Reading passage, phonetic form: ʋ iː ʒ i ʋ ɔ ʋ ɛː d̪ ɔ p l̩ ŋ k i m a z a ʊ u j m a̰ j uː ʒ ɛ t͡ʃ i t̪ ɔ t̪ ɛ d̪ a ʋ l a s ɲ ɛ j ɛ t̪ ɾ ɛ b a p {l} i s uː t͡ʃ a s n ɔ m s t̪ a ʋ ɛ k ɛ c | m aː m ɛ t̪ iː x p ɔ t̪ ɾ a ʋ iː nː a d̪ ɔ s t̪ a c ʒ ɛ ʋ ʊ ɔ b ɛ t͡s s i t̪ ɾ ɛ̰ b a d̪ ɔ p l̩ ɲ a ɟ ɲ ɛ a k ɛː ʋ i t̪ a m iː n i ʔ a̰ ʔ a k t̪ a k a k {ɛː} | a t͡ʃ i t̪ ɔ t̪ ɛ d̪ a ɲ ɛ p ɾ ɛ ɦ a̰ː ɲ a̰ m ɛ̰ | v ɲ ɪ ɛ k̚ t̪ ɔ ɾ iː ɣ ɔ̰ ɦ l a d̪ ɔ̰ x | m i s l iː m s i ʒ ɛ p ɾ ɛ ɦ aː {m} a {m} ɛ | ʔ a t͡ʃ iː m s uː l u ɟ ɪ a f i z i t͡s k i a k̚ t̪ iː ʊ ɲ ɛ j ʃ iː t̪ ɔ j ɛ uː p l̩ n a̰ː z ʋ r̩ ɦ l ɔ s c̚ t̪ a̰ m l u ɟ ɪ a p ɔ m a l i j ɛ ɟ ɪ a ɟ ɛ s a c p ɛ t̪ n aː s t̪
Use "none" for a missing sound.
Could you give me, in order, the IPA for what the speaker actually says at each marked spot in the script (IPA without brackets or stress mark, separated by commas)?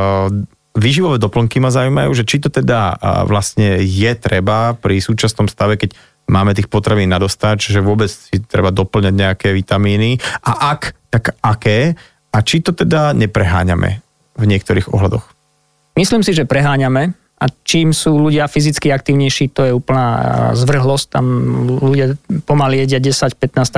ɾ, ɛː, ɲ, m